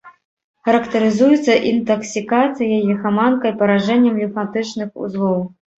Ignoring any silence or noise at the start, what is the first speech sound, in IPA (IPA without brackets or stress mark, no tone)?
x